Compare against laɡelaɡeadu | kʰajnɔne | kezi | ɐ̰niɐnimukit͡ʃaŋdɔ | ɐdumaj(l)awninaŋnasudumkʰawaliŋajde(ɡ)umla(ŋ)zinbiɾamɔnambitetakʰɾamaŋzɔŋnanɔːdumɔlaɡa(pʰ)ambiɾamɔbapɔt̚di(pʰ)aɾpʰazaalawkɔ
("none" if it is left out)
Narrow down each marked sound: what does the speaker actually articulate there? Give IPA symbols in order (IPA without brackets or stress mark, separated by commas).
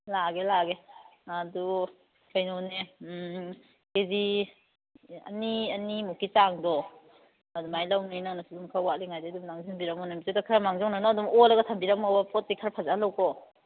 l, d, ŋ, tʰ, kʰ